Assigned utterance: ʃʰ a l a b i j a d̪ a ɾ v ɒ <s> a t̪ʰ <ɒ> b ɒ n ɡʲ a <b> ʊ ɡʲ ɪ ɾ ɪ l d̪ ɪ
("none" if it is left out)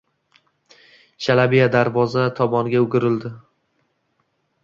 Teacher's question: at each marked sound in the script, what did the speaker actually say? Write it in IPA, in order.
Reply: z, ɒ, none

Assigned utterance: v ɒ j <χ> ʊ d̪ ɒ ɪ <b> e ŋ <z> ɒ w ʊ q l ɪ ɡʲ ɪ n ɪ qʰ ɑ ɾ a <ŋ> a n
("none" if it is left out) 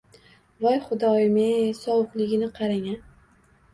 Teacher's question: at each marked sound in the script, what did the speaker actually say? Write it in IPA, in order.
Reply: χ, m, s, ŋ

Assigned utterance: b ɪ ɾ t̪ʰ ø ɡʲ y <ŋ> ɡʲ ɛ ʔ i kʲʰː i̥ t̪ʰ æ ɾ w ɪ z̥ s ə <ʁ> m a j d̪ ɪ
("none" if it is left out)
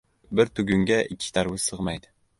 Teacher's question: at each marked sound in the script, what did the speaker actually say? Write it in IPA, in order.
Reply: ŋ, ʁ

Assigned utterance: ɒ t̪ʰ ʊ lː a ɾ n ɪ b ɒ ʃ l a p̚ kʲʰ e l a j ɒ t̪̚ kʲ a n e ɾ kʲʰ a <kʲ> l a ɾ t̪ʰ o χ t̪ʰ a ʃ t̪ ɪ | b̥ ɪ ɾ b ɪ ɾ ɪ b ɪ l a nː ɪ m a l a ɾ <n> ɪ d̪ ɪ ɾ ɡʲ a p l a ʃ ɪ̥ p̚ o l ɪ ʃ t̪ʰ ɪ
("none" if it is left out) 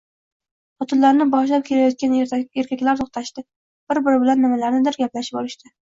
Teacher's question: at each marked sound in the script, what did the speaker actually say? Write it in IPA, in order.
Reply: kʲ, n

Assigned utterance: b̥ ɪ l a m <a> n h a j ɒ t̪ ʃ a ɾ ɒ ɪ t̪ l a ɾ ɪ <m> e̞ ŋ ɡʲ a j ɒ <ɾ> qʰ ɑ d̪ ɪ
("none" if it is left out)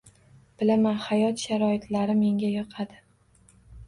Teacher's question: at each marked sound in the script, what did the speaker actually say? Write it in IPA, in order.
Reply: a, m, none

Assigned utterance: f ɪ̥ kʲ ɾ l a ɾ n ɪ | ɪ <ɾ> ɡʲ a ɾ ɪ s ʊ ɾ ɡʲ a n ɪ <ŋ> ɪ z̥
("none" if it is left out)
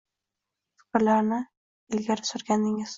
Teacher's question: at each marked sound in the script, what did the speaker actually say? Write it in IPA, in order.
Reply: l, ŋ

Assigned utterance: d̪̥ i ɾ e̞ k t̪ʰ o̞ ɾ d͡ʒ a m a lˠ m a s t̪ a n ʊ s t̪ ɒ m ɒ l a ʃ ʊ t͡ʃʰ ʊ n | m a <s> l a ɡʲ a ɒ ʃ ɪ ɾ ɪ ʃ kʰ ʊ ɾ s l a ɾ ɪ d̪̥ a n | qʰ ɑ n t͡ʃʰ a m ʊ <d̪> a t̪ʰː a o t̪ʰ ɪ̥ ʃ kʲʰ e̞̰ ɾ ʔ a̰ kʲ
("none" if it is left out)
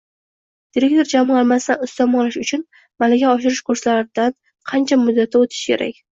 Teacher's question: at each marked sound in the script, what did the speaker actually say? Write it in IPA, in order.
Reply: none, d̪ː

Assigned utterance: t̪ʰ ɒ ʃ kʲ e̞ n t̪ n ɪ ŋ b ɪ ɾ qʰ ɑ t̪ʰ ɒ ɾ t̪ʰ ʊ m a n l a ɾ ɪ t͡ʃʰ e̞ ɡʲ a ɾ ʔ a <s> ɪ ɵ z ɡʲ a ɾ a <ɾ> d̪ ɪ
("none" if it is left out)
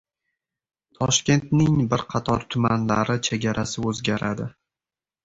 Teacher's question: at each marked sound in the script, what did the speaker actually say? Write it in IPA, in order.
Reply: s, none

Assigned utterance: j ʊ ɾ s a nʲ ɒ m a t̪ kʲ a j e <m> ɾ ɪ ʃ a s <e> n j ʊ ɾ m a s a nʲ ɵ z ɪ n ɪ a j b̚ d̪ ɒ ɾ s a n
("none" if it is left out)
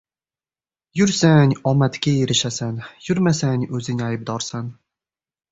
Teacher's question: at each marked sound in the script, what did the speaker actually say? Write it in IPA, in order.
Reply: none, a

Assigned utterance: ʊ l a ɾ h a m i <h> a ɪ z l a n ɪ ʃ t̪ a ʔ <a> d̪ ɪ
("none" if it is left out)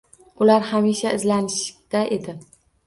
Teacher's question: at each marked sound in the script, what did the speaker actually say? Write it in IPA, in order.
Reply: ʃ, e

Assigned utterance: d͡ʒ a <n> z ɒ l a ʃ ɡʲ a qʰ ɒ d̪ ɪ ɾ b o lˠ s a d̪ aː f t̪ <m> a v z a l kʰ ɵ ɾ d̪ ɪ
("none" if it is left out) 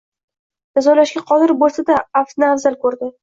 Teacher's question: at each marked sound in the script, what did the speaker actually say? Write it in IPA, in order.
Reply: none, n

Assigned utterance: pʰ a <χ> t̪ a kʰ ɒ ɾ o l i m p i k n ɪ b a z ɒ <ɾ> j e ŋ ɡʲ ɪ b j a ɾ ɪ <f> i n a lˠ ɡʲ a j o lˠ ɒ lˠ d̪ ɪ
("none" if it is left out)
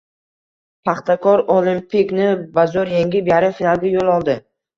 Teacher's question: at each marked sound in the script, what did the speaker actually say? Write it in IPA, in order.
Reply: χ, ɾ, f

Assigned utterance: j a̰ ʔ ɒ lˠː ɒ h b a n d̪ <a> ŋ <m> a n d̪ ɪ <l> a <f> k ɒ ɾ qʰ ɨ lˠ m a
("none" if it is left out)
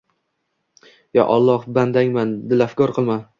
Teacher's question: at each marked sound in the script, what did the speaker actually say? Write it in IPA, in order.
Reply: a, m, l, f

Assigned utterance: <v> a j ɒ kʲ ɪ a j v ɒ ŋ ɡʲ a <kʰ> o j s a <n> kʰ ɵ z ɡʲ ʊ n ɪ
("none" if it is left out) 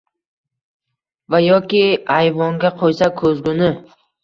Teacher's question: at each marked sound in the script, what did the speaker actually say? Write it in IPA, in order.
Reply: v, qʰ, none

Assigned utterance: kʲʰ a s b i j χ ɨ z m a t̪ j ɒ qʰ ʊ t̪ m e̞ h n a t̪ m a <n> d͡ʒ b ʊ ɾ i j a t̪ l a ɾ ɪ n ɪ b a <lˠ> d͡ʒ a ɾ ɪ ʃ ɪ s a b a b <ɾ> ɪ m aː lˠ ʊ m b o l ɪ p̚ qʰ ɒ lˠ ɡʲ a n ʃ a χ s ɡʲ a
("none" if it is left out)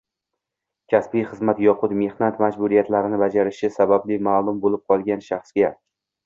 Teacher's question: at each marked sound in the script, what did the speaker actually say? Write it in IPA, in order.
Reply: none, none, l

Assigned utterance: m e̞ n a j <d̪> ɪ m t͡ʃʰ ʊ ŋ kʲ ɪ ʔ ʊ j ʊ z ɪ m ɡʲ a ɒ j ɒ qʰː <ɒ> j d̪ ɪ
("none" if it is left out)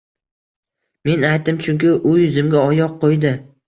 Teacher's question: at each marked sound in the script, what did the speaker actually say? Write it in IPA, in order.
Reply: t̪, o

